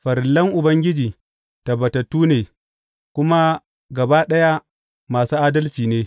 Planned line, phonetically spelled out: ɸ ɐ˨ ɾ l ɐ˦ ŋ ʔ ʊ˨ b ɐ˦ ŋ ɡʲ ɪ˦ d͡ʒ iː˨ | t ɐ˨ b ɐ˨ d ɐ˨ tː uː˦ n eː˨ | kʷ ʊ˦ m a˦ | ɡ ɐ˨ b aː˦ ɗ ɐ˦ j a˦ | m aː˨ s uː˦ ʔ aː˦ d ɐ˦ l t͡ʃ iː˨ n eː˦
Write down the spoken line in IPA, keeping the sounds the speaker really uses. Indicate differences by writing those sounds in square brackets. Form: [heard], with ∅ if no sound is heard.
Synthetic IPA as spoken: ɸ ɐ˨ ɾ l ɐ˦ ŋ ʔ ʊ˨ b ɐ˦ ŋ ɡʲ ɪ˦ d͡ʒ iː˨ | t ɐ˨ b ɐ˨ [t] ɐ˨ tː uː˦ n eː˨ | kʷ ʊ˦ m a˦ | ɡ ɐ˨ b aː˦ ɗ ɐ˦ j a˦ | m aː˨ s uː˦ ʔ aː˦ d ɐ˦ l t͡ʃ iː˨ n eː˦